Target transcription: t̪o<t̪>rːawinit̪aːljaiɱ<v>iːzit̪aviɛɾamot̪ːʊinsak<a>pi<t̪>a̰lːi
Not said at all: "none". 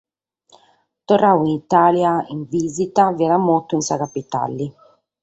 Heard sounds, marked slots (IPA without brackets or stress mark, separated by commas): none, v, a, t̪